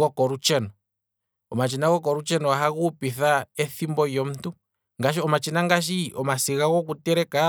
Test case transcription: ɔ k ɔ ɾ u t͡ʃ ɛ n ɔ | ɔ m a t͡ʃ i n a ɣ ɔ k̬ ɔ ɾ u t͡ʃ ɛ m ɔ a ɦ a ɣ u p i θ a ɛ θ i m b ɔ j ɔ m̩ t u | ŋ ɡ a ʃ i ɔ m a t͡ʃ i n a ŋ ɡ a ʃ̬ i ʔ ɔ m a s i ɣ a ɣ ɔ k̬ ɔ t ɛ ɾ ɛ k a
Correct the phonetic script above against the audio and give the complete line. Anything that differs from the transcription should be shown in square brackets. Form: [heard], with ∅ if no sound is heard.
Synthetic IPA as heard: ɔ k ɔ ɾ u t͡ʃ ɛ n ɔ | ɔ m a t͡ʃ i n a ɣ ɔ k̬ ɔ ɾ u t͡ʃ ɛ [n] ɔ a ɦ a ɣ u p i θ a ɛ θ i m b ɔ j ɔ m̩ t u | ŋ ɡ a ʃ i ɔ m a t͡ʃ i n a ŋ ɡ a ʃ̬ i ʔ ɔ m a s i ɣ a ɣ ɔ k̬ [u] t ɛ ɾ ɛ k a